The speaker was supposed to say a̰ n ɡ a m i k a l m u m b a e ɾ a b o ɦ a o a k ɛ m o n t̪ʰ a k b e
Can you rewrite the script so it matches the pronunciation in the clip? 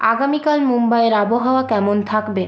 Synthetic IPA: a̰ ɡ a m i k a l m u m b a e ɾ a b o ɦ a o a k ɛ m o n t̪ʰ a k b e